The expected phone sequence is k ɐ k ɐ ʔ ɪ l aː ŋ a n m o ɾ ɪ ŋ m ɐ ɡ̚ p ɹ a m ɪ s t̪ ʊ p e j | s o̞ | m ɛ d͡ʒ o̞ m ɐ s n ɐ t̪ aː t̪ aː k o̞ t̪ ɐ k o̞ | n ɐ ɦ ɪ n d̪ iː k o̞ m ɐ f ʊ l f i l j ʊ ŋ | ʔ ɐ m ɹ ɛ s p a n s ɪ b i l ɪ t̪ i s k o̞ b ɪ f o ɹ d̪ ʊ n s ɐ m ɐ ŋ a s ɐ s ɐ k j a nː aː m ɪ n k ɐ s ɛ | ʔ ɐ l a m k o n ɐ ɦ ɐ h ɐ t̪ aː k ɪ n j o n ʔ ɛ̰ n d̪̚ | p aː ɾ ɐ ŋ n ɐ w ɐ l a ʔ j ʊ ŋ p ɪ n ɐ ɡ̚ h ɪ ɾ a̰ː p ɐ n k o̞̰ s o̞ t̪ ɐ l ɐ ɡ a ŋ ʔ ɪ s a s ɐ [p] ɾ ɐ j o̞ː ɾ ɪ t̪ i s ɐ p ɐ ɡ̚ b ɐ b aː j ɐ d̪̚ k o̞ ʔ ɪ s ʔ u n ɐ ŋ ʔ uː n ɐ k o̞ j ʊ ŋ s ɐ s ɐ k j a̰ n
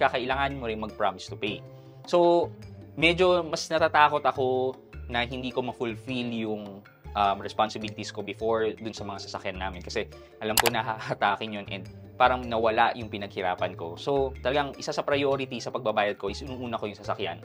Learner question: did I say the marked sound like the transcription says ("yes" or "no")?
yes